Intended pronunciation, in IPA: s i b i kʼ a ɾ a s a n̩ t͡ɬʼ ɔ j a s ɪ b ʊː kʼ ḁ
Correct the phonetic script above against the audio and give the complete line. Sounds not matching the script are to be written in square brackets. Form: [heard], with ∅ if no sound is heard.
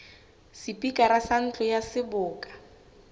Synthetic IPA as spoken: s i [p] i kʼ a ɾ a s a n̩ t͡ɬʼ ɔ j a s ɪ b ʊː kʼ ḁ